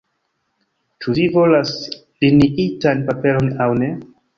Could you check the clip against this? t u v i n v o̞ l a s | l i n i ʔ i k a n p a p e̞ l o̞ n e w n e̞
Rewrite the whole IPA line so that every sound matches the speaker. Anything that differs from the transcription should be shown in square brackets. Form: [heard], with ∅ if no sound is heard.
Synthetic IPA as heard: [t͡ʃ] u v i [∅] v o̞ l a s | l i n i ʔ i [t] a n p a p e̞ l o̞ n [a] w n e̞

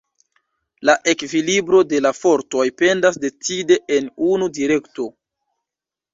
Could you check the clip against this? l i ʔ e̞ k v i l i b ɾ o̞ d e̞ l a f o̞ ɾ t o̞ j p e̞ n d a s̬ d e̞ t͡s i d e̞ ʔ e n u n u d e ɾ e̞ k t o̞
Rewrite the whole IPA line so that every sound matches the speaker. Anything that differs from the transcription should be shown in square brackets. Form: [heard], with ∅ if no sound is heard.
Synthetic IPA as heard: l [a] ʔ e̞ k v i l i b ɾ o̞ d e̞ l a f o̞ ɾ t o̞ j p e̞ n d a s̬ d e̞ t͡s i d e̞ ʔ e n u n u d [i] ɾ e̞ k t o̞

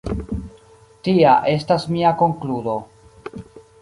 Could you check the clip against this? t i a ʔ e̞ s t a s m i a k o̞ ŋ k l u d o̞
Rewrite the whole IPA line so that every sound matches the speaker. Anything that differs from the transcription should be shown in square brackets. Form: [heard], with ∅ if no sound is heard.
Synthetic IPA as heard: t i a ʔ e̞ s t a s m i a k o̞ ŋ k l u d o̞

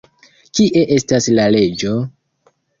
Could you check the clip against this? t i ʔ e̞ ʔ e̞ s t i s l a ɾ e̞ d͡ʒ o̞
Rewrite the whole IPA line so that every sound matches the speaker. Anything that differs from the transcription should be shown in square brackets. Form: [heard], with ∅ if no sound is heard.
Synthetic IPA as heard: [k] i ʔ e̞ ʔ e̞ s t [a] s l a [l] e̞ d͡ʒ o̞

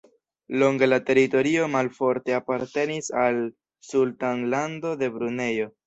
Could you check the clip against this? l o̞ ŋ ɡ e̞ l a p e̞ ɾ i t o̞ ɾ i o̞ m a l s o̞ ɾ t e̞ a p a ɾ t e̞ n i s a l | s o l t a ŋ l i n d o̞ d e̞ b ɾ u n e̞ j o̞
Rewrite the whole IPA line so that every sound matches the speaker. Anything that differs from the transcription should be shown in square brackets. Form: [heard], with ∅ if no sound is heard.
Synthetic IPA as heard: l o̞ ŋ ɡ e̞ l a [t] e̞ ɾ i t o̞ ɾ i o̞ m a l [f] o̞ ɾ t e̞ a p a ɾ t e̞ n i s a l | s [u] l t a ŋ l [a] n d o̞ d e̞ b ɾ u n e̞ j o̞

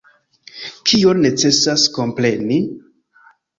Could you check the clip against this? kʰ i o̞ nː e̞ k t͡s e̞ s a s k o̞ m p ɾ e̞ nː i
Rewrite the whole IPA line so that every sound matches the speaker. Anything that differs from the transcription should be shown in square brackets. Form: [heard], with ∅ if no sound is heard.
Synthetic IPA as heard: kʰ i o̞ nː e̞ [∅] t͡s e̞ s a s k o̞ m p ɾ e̞ [n] i

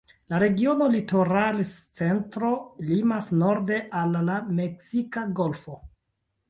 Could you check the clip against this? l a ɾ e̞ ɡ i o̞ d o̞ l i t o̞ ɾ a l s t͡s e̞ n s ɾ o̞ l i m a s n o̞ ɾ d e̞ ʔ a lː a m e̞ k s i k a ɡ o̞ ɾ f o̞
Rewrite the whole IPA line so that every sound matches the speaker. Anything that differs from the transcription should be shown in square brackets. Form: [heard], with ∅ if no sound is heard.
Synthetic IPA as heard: l a ɾ e̞ ɡ i o̞ [n] o̞ l i t o̞ ɾ a l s t͡s e̞ n [t] ɾ o̞ l i m a s n o̞ ɾ d e̞ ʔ a lː a m e̞ k s i k a ɡ o̞ [l] f o̞

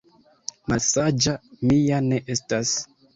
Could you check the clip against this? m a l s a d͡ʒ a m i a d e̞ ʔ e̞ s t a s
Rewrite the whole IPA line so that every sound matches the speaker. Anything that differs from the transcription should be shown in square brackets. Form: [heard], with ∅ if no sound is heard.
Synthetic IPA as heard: m a l s a d͡ʒ a m i a [n] e̞ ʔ e̞ s t a s

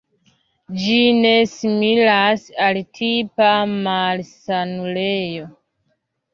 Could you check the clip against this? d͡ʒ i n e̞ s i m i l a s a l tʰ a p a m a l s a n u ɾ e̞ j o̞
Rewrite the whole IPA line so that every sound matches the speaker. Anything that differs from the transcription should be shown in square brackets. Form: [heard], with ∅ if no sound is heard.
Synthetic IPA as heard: d͡ʒ i n e̞ s i m i l a s a l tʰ [i] p a m a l s a n u [l] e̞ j o̞

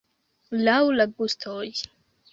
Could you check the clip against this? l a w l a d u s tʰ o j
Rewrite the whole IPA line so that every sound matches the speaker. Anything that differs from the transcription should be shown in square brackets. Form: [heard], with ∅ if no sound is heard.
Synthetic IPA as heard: l a w l a [ɡ] u s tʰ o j

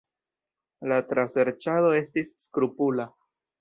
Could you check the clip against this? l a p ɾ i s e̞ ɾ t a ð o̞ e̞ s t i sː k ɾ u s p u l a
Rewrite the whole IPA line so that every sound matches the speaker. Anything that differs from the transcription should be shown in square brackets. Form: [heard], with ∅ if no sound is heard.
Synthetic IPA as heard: l a [t] ɾ [a] s e̞ ɾ [t͡ʃ] a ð o̞ e̞ s t i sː k ɾ u [∅] p u l a

